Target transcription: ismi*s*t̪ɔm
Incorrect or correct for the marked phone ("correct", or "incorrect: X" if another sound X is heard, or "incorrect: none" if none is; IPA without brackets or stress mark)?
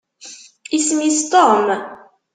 correct